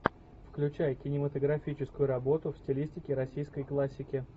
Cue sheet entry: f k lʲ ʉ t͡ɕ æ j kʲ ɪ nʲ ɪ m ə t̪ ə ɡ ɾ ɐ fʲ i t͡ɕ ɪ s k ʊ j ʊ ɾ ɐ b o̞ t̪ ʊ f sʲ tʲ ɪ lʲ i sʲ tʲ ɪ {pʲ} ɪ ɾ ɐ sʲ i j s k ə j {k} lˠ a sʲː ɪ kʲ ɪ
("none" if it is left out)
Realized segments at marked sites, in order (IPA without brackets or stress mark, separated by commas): kʲ, k